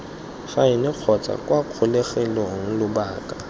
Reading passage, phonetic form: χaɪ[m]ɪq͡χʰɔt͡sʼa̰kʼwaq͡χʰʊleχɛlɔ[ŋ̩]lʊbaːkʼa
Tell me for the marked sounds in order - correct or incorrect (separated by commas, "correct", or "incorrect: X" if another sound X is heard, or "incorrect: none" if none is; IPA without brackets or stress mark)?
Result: incorrect: n, correct